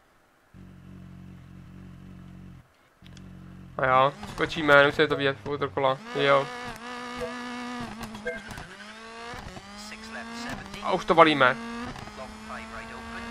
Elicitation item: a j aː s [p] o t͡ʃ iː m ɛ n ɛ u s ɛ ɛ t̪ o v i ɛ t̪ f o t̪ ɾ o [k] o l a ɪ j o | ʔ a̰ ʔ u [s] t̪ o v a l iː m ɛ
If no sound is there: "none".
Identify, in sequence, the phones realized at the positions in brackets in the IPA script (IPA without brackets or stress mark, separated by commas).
k, k, ʃ